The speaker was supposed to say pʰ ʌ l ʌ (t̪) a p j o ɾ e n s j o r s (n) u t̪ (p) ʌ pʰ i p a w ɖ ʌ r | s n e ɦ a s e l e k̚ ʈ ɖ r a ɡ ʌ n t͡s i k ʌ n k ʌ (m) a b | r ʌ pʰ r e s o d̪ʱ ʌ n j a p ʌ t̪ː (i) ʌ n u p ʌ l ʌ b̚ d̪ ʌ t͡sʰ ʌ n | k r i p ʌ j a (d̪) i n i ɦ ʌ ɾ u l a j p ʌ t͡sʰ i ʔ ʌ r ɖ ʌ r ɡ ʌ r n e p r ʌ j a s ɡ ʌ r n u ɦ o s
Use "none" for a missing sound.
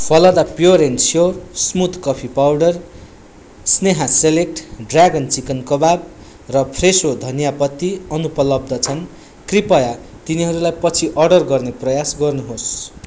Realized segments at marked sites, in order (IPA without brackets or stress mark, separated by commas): d̪, m, k, b, i, t̪